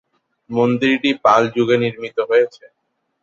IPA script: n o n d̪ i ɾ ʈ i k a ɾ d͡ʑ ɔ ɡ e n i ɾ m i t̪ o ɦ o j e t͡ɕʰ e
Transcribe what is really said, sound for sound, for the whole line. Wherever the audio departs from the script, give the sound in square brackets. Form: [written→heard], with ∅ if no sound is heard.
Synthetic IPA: [n→m] o n d̪ i ɾ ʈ i [k→p] a [ɾ→l] d͡ʑ [ɔ→u] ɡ e n i ɾ m i t̪ o ɦ o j e t͡ɕʰ e